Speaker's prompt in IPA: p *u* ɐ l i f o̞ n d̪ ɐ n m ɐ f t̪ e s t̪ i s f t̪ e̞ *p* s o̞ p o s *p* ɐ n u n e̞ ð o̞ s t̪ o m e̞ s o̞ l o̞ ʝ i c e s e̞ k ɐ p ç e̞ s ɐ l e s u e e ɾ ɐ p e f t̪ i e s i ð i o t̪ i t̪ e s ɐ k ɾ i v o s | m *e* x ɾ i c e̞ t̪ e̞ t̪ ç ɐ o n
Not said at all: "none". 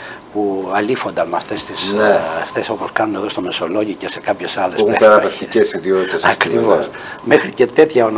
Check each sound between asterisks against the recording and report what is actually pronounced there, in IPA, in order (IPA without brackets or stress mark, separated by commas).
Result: u, none, k, e